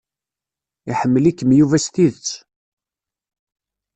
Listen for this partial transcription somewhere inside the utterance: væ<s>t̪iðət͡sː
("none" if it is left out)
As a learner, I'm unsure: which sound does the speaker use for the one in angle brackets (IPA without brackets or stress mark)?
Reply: s